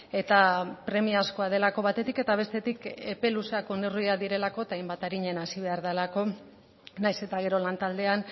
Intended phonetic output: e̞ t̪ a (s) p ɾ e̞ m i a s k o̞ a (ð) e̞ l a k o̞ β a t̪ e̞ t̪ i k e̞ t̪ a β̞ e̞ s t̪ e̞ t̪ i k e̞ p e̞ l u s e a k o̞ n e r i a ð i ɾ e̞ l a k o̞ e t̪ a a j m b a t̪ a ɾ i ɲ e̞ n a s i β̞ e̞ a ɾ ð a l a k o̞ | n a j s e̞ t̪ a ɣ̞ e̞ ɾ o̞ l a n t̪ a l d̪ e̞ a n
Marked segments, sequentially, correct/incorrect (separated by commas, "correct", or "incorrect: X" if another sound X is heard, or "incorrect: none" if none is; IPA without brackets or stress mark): incorrect: none, correct